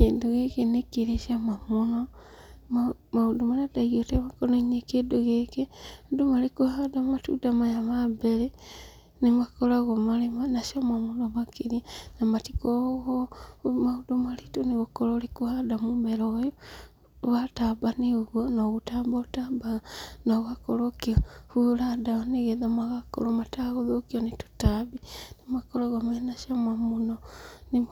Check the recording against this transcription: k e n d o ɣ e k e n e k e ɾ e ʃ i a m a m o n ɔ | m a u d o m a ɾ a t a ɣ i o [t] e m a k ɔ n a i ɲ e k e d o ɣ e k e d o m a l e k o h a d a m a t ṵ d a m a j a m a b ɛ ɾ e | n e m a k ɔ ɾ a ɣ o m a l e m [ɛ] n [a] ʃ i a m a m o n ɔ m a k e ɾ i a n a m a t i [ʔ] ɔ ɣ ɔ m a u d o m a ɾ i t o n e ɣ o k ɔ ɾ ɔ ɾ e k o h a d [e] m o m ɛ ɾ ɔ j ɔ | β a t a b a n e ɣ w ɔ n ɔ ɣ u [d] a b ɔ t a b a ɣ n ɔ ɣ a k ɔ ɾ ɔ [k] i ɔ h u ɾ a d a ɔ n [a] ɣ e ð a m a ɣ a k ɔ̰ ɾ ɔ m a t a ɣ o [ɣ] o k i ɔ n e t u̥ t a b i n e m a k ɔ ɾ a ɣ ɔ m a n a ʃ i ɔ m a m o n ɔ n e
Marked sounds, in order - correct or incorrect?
correct, incorrect, correct, incorrect, incorrect, incorrect, correct, incorrect, incorrect

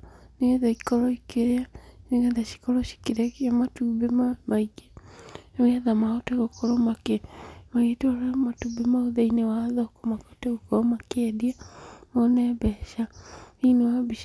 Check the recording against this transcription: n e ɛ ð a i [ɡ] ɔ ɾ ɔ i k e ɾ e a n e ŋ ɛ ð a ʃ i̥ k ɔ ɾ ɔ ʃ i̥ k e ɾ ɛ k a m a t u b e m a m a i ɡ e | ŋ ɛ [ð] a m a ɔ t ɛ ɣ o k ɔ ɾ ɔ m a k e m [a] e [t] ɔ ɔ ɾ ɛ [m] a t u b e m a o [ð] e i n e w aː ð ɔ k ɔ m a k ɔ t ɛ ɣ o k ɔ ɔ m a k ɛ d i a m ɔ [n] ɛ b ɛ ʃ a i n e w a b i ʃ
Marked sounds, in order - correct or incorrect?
incorrect, correct, correct, correct, correct, correct, correct

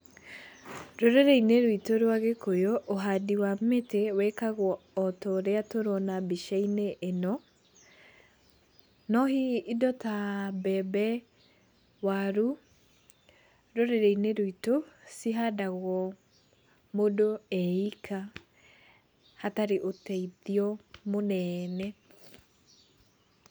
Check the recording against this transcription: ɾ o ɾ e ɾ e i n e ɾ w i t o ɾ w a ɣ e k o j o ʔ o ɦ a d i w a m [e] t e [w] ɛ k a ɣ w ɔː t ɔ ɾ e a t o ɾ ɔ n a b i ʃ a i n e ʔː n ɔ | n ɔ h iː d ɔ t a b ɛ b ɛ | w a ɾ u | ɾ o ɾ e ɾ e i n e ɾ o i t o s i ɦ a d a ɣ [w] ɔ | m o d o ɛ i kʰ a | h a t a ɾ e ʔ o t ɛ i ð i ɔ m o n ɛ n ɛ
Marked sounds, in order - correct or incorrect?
correct, correct, correct

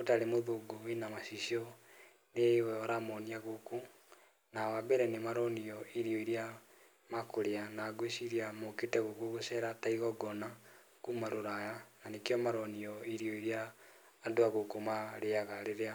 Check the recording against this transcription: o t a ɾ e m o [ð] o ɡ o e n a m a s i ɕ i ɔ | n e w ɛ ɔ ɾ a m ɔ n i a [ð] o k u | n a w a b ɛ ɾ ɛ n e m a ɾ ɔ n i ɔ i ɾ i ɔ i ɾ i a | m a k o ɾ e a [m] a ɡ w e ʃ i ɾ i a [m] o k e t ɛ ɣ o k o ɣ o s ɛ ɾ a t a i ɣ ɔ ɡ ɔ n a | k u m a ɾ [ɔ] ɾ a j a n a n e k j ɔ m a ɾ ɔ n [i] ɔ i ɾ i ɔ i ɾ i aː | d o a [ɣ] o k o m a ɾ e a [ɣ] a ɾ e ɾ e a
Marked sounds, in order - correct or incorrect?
correct, incorrect, incorrect, correct, incorrect, correct, correct, correct

